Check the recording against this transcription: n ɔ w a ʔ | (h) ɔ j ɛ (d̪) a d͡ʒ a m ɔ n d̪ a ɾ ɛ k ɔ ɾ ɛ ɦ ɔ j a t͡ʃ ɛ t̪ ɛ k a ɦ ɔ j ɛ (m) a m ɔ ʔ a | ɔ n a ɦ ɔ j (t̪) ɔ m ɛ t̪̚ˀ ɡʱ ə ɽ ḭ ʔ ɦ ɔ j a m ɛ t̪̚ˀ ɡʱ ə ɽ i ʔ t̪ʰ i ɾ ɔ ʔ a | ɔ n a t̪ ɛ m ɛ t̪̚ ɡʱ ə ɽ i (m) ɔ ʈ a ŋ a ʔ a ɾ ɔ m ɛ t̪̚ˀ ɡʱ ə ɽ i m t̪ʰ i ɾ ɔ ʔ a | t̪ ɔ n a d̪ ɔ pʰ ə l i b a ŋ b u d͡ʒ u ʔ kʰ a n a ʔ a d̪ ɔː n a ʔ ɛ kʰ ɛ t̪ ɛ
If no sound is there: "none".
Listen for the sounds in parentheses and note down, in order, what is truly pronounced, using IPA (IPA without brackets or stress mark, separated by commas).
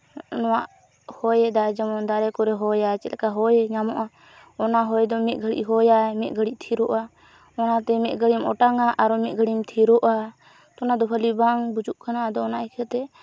h, d̪, ɲ, d̪, m